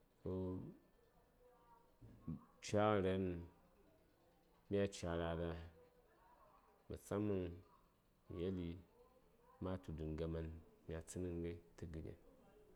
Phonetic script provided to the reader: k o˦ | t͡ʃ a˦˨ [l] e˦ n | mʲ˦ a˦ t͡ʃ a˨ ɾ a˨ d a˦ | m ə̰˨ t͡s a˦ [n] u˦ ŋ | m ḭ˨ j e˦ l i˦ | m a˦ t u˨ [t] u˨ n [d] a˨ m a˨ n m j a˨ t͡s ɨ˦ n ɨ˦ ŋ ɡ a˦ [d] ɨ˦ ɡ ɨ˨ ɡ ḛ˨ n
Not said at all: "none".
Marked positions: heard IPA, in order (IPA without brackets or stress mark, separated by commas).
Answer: ɾ, m, d, ɡ, t